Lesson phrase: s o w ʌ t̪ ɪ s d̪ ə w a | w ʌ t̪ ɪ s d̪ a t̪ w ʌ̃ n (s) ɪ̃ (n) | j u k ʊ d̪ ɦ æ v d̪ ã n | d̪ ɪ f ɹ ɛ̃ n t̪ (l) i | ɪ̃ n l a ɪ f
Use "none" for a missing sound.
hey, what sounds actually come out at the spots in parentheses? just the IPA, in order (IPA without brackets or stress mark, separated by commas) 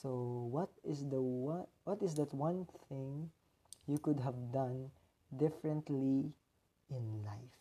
θ, ŋ, l